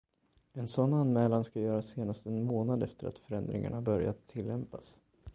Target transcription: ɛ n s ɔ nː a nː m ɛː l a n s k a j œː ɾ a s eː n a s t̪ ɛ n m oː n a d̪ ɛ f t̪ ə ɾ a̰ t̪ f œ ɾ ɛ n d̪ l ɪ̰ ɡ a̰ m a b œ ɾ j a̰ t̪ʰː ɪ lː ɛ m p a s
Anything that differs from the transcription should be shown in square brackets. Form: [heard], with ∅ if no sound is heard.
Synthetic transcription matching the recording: ɛ n s ɔ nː a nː m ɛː l a n s k a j œː ɾ a s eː n a s t̪ ɛ n m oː n a d̪ ɛ f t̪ ə ɾ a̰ t̪ f œ ɾ ɛ n d̪ [ɾ] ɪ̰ [ŋ] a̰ [ɳ] a b œ ɾ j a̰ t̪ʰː ɪ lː ɛ m p a s